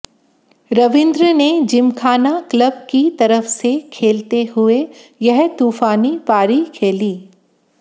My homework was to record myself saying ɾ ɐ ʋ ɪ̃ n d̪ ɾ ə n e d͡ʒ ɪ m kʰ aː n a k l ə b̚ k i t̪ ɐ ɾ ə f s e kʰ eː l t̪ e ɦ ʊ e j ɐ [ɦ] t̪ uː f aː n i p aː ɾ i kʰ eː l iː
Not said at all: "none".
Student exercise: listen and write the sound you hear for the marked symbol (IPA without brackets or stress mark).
ɦ